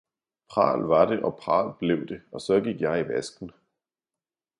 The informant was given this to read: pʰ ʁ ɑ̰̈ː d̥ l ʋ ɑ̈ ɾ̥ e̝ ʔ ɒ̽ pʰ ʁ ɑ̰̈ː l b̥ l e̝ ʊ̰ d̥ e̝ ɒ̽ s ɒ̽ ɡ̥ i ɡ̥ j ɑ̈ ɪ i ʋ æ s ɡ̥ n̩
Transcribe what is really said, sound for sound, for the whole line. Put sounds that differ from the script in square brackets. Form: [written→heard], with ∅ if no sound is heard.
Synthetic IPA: pʰ ʁ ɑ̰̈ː [d̥→∅] l ʋ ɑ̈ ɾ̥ e̝ ʔ ɒ̽ pʰ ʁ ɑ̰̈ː l b̥ l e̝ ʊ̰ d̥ e̝ ɒ̽ s ɒ̽ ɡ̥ i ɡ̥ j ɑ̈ ɪ i ʋ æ s ɡ̥ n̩